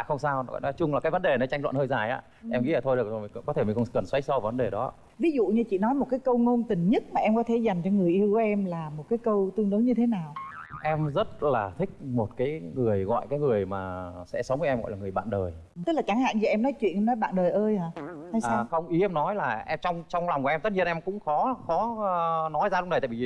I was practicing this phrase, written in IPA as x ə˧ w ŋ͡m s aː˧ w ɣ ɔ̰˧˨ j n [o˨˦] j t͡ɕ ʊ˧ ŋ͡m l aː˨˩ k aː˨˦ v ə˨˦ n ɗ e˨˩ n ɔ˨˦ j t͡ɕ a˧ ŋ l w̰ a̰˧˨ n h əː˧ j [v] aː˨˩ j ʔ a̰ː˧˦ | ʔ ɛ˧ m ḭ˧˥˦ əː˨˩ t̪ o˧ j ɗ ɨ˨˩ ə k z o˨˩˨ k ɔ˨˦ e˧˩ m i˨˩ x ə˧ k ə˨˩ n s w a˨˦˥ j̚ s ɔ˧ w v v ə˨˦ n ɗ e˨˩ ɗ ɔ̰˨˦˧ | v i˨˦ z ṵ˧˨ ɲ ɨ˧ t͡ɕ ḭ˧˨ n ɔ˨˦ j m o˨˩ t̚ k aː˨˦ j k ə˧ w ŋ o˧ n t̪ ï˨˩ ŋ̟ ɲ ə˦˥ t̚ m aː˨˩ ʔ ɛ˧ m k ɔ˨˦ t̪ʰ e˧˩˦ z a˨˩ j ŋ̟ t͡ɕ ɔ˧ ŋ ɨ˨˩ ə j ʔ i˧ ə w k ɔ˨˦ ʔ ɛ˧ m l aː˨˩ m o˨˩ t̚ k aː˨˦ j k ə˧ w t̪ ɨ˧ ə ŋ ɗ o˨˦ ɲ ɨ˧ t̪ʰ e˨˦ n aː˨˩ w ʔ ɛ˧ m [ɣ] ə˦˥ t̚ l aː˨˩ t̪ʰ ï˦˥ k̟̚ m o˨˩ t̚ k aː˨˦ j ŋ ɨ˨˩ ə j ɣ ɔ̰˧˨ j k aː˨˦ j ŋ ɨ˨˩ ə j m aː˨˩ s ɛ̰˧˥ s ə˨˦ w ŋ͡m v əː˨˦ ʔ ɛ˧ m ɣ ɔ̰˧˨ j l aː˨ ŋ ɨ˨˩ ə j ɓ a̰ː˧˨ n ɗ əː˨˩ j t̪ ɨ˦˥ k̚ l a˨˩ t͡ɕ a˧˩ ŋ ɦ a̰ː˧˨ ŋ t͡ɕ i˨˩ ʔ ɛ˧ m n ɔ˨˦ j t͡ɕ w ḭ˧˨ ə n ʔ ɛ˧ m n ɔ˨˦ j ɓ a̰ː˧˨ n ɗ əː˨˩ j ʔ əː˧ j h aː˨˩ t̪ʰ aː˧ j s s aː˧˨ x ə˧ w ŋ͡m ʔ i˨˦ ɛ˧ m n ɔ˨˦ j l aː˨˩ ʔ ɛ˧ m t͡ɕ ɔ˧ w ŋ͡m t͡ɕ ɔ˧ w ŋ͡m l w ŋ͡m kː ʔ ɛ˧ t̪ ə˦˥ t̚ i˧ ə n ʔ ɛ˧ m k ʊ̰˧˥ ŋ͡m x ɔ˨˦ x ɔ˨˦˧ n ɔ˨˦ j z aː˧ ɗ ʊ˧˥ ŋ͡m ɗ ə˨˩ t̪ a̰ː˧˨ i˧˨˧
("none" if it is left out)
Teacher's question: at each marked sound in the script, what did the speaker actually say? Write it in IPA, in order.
ɔ˨˦, z, z

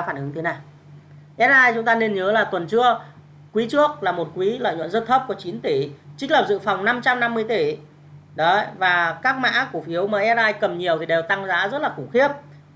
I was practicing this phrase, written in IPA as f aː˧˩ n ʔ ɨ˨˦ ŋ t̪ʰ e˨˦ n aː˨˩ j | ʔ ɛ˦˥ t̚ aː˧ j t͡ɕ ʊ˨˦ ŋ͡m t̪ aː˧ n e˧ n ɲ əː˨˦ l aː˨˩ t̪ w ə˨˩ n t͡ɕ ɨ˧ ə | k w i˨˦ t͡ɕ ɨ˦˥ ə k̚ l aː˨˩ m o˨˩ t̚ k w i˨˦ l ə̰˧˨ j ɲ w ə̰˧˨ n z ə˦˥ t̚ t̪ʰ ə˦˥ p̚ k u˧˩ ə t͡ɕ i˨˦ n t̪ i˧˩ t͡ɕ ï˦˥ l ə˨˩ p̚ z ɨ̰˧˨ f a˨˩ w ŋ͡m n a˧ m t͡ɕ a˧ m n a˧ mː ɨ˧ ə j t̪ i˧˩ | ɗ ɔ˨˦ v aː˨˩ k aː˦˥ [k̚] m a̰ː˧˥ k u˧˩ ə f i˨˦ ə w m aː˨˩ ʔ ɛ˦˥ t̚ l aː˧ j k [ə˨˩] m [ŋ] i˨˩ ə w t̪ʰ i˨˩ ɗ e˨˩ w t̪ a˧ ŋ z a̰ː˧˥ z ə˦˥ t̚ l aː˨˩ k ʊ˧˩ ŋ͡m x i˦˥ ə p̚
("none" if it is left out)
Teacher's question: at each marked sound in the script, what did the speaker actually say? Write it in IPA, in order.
k̚, ə˨˩, ɲ

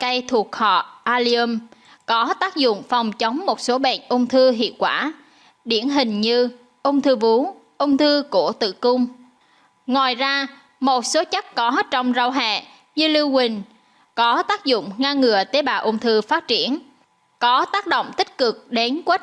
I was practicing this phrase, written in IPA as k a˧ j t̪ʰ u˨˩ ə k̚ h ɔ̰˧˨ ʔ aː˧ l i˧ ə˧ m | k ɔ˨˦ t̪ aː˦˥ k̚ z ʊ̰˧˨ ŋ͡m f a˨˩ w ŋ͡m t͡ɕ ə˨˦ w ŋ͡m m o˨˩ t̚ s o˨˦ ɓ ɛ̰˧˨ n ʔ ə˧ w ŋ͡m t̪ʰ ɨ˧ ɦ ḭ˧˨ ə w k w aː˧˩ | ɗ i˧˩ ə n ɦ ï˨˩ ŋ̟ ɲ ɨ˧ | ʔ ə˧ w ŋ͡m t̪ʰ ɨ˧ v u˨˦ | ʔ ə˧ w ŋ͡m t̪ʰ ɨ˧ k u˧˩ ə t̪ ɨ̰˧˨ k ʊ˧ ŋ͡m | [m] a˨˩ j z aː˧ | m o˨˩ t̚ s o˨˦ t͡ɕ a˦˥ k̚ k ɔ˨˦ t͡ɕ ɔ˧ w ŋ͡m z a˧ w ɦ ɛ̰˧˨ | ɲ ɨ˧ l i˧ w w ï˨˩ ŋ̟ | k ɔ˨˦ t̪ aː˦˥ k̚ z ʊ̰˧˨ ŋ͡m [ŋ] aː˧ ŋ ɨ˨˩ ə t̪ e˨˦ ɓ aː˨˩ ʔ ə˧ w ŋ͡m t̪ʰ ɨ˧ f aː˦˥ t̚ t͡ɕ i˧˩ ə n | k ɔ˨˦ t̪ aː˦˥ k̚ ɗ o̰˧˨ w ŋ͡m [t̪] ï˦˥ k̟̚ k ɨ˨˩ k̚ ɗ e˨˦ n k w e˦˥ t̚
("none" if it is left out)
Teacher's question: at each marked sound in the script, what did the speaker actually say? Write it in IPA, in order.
ŋ, ŋ, t̪

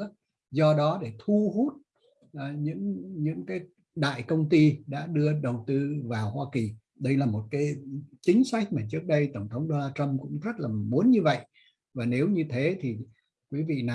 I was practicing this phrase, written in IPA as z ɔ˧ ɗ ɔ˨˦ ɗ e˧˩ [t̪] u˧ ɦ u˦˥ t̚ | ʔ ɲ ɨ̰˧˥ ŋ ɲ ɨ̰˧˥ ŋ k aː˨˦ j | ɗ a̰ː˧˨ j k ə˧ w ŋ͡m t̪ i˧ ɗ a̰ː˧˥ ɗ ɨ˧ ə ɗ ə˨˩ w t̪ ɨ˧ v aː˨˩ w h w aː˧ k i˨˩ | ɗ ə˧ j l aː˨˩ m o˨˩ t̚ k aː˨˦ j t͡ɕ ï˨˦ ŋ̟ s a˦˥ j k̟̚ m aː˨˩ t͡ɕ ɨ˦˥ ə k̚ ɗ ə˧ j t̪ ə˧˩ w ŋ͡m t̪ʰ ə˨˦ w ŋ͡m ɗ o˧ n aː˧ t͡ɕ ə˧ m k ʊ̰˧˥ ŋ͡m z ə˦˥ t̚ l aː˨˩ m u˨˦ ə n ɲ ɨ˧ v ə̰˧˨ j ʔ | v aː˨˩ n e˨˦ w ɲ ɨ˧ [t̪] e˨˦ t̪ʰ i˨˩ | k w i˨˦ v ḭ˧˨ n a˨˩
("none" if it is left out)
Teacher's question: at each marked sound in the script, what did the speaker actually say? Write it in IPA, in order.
t̪ʰ, t̪ʰ

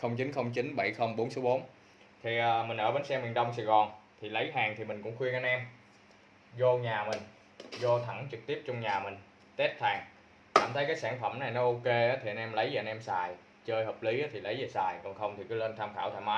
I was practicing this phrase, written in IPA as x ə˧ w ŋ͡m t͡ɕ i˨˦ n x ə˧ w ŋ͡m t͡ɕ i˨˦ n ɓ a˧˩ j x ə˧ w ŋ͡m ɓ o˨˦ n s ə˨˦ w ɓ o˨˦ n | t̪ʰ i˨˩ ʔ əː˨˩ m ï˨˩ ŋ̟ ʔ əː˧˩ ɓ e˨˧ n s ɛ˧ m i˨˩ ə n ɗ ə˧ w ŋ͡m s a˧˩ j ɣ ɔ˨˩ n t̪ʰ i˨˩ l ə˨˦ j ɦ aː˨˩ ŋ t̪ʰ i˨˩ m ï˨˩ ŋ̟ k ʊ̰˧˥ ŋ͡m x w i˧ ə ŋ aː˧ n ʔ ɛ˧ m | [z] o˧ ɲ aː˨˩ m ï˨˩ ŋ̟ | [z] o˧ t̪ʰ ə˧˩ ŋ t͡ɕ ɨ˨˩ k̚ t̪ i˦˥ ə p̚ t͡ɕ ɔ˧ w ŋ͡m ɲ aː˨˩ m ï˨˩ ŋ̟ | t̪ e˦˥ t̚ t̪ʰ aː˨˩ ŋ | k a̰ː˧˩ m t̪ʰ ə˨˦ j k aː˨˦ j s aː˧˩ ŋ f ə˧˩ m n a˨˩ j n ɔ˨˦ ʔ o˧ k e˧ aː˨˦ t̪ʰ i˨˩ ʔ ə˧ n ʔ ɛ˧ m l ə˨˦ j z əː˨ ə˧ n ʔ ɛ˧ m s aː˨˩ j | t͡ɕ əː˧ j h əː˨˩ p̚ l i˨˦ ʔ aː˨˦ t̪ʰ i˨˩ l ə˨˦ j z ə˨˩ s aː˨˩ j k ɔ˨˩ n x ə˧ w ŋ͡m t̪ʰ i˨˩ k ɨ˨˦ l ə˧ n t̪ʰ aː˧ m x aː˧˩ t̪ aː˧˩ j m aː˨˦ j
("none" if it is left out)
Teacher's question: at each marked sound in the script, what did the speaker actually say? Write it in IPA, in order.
z, z

